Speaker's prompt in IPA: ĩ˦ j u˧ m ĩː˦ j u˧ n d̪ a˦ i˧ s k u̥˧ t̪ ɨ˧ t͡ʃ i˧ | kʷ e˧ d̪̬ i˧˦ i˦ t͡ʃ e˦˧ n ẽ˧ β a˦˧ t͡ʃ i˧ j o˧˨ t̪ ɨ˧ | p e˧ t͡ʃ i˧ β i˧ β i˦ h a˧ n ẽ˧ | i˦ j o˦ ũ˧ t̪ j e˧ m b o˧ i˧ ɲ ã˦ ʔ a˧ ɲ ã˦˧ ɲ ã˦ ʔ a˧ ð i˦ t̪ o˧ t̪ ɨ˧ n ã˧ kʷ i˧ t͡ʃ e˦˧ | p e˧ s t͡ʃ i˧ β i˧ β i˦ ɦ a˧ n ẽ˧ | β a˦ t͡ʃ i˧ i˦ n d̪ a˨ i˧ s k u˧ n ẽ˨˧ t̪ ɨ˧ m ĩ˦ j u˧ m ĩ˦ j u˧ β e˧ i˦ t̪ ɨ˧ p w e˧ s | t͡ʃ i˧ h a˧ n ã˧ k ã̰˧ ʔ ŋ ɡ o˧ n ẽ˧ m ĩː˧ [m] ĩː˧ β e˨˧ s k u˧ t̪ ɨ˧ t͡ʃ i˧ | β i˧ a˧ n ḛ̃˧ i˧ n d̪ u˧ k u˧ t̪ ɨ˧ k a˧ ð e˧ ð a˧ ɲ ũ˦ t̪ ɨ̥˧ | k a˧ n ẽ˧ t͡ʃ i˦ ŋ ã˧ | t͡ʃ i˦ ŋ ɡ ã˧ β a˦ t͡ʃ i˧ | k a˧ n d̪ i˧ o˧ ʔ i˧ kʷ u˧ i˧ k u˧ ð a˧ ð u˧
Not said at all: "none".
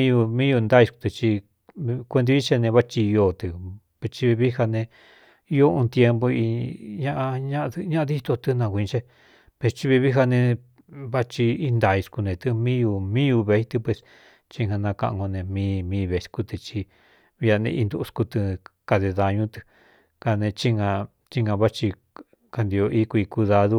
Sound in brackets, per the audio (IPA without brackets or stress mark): m